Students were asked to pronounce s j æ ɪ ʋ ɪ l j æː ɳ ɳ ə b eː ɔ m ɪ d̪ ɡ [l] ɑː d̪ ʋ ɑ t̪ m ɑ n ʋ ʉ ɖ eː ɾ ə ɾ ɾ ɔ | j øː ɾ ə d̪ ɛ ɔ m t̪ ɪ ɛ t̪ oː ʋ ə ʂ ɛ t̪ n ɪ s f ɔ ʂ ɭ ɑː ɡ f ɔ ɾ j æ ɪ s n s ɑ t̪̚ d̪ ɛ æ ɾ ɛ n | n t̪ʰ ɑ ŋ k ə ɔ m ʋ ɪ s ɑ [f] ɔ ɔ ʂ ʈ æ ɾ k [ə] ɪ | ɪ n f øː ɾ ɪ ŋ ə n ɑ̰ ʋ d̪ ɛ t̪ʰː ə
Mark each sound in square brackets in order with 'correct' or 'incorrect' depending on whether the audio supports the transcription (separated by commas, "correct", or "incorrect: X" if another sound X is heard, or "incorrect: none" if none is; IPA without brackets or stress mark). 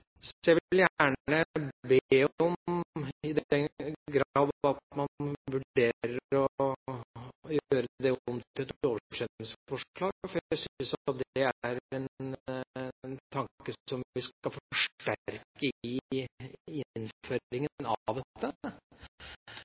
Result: incorrect: ɾ, correct, correct